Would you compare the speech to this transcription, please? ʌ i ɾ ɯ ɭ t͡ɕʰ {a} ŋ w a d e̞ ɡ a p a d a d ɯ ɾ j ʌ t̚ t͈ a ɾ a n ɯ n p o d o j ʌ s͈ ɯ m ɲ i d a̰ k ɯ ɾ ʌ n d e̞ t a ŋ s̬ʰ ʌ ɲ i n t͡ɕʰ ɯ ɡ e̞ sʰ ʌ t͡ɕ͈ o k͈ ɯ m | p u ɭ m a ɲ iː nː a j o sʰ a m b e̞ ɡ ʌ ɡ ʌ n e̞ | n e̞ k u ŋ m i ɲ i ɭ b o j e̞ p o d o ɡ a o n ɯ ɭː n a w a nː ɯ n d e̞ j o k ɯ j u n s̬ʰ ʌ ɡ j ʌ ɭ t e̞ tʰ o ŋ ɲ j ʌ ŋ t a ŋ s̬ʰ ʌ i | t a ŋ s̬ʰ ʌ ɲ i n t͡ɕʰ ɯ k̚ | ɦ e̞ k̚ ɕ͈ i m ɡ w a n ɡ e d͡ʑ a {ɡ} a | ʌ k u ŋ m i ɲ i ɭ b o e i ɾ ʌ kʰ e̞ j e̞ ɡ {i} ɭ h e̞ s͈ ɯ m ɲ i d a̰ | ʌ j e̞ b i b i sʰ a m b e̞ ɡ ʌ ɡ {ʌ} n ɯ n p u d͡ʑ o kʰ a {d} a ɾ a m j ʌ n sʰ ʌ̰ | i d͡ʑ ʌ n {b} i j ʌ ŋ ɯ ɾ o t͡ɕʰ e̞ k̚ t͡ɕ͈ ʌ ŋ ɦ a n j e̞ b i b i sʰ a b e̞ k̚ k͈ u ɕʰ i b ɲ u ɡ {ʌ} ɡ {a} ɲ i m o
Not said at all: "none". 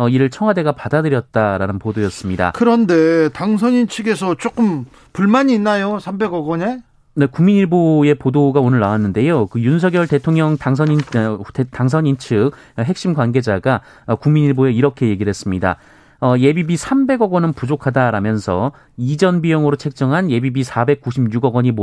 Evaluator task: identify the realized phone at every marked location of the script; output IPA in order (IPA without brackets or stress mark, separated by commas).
ʌ, ɡ, i, ʌ, d, b, ʌ, ʌ